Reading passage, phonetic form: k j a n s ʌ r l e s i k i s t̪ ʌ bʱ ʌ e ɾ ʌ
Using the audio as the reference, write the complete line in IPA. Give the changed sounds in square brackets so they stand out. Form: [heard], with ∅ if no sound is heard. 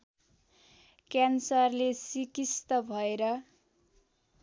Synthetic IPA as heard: k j a n s ʌ r l e s i k i s t̪ ʌ bʱ ʌ e ɾ ʌ